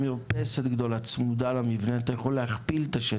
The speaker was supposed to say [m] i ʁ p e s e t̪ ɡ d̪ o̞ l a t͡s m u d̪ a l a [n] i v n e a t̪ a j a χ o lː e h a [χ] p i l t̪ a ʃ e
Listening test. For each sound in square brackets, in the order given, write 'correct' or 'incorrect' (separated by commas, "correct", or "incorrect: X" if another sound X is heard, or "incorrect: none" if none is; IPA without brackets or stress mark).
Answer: correct, incorrect: m, correct